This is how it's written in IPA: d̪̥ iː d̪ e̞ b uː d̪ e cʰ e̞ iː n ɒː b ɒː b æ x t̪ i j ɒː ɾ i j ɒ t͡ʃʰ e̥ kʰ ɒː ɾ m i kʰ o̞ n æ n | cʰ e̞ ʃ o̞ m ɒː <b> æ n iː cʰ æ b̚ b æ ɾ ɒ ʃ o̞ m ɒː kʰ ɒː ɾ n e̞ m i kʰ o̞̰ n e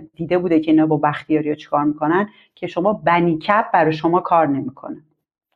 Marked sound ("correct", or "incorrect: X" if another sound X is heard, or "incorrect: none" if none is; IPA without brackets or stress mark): correct